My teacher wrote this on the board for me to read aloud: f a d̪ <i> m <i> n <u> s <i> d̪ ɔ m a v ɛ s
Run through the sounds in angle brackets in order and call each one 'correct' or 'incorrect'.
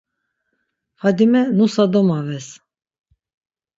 correct, incorrect, correct, incorrect

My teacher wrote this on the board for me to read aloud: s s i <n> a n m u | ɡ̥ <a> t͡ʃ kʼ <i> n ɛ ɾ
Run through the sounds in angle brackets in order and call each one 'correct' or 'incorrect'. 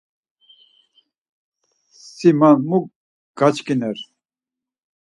incorrect, correct, correct

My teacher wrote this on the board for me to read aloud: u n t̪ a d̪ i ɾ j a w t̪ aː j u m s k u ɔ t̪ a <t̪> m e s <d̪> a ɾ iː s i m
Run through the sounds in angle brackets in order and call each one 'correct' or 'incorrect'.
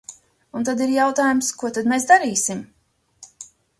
incorrect, correct

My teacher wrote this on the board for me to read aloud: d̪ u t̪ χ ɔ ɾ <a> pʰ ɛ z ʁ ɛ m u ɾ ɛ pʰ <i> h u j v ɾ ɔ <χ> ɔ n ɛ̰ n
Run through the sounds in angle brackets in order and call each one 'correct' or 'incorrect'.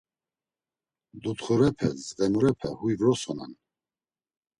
incorrect, incorrect, incorrect

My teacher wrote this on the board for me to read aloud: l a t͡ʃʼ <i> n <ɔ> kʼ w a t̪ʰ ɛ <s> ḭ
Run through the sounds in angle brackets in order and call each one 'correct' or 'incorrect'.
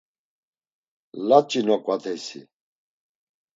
correct, correct, correct

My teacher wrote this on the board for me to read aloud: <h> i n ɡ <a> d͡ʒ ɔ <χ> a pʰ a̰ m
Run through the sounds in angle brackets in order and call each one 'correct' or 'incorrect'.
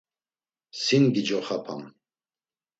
incorrect, incorrect, correct

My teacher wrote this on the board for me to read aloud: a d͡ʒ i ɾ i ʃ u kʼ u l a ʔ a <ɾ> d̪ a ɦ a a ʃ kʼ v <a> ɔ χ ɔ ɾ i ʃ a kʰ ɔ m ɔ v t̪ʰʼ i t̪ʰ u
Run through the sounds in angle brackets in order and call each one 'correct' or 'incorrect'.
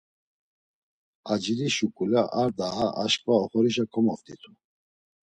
correct, correct

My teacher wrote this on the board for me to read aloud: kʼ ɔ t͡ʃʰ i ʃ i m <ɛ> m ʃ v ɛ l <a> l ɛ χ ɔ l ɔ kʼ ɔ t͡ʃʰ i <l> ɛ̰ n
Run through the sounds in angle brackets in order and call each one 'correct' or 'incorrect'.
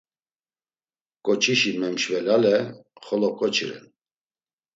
correct, correct, incorrect

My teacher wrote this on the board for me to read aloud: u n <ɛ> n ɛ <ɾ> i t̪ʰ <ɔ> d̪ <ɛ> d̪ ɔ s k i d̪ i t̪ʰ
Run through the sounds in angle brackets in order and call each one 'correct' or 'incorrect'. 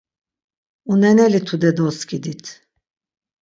correct, incorrect, incorrect, correct

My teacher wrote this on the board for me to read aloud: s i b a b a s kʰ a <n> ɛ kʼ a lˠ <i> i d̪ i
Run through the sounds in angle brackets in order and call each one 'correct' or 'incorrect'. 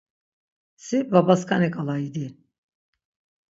correct, incorrect

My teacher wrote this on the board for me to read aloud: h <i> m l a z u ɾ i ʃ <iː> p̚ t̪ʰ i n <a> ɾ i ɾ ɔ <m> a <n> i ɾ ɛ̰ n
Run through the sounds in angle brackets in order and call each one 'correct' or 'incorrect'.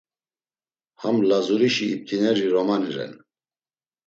incorrect, correct, incorrect, correct, correct

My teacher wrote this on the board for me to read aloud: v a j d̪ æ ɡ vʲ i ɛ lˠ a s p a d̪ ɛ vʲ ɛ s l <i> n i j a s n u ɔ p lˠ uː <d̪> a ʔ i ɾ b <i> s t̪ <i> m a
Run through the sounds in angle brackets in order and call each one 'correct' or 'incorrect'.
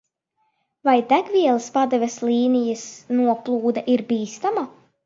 incorrect, correct, incorrect, incorrect

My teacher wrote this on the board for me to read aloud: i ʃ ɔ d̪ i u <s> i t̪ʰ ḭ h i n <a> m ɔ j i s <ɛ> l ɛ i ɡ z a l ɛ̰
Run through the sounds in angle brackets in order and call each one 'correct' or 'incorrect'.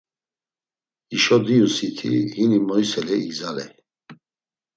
correct, incorrect, correct

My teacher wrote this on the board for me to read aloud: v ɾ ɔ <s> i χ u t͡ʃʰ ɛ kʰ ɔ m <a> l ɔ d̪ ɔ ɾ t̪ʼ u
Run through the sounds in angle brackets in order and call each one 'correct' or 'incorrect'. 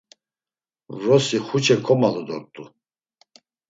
correct, correct

